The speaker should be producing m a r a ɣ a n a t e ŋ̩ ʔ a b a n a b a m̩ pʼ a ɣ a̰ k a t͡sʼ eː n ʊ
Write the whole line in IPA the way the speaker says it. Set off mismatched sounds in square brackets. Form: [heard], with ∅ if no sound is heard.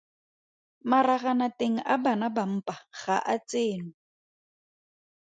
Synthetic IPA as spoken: m a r a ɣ a n a t e ŋ̩ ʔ a b a n a b a m̩ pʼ a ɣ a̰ [ʔ] a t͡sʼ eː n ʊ